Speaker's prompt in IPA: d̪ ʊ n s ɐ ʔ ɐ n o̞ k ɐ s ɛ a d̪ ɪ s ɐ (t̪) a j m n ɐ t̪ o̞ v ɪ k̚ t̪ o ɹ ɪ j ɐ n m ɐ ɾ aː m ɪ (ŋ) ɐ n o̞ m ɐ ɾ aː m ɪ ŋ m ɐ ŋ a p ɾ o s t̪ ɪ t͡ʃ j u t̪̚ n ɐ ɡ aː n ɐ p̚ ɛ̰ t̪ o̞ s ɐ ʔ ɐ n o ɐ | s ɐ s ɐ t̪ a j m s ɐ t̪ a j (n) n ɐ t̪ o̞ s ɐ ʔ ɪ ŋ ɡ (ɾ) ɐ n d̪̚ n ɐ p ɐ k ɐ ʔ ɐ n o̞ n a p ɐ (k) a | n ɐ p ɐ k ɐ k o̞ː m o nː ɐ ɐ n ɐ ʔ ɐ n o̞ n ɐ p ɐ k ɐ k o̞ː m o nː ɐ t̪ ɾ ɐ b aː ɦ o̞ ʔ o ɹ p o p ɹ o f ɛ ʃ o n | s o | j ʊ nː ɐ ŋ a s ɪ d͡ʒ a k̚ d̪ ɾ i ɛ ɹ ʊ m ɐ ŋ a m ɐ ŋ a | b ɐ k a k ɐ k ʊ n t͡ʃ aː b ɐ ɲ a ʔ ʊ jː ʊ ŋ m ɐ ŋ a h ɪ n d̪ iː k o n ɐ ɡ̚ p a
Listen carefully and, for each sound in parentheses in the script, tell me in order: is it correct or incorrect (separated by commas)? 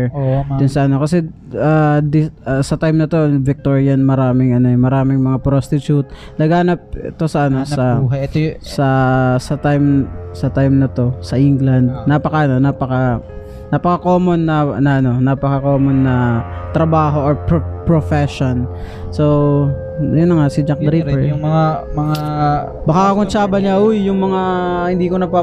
correct, correct, incorrect, incorrect, correct